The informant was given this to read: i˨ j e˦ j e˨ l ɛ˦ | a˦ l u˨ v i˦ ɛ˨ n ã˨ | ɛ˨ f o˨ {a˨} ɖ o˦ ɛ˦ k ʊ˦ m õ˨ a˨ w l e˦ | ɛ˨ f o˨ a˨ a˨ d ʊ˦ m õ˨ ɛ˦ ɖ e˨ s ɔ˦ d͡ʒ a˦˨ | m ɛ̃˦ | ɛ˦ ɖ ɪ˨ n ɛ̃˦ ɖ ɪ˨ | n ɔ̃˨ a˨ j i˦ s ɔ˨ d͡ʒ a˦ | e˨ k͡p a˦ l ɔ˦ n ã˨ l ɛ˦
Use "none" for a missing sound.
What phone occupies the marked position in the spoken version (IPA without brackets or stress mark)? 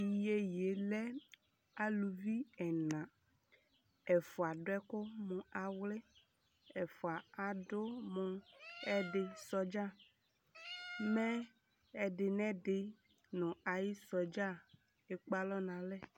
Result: a˨